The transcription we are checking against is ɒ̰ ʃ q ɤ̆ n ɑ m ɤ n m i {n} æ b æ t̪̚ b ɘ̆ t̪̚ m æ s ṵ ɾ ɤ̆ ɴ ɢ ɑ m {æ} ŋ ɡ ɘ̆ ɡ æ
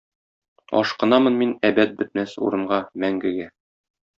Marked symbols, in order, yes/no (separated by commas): yes, yes